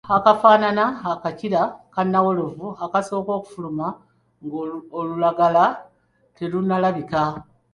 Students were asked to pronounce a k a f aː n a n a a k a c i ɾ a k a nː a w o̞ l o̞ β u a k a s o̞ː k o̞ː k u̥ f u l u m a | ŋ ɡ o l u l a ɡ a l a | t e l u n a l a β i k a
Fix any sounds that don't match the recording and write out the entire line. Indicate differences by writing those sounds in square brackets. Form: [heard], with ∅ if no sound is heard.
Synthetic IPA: a k a f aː n a n a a k a c i ɾ a k a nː a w o̞ l o̞ [v] u a k a s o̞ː k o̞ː k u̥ f u l u m a | ŋ ɡ o l u l a ɡ a l a | t e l u n a l a β i k a